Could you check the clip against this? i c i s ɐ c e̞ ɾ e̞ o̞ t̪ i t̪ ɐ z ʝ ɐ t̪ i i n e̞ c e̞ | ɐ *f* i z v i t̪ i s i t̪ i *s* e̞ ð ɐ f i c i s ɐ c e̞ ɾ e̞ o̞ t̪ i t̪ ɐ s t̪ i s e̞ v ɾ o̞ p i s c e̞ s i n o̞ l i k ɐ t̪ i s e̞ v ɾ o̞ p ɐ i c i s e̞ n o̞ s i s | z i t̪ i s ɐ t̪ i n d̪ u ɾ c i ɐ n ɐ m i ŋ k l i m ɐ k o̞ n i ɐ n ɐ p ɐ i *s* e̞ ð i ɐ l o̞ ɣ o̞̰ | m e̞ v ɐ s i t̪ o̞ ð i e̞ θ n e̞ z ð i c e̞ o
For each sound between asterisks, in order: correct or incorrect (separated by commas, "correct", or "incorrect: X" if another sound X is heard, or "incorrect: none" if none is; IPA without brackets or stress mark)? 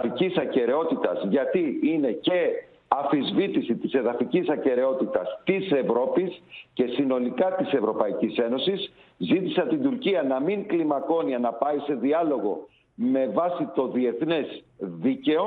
correct, correct, correct